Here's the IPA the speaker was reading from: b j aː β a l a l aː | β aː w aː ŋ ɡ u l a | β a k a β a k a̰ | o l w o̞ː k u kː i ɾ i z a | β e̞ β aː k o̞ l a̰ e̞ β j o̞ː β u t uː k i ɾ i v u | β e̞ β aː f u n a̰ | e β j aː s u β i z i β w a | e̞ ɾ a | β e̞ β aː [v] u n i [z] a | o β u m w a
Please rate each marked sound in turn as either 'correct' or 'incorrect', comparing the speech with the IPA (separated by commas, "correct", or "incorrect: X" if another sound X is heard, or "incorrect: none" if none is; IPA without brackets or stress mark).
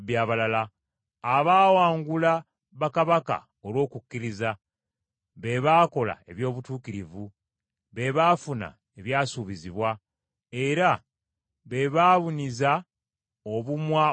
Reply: incorrect: β, correct